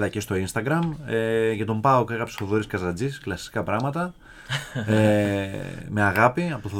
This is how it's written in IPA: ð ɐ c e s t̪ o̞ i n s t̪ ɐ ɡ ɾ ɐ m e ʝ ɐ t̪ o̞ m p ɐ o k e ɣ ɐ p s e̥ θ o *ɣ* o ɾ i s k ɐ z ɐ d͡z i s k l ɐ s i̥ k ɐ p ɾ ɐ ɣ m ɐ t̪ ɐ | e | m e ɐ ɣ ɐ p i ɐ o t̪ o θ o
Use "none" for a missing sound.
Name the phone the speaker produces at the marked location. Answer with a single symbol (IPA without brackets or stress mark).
ð